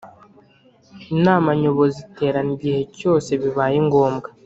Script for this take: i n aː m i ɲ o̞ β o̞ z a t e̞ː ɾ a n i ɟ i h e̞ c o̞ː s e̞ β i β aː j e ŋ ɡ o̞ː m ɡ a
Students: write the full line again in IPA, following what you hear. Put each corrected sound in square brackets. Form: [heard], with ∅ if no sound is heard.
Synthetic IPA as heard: i n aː m [a] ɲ o̞ β o̞ z [i] t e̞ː ɾ a n i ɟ i h e̞ c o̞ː s e̞ β i β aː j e ŋ ɡ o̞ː m ɡ a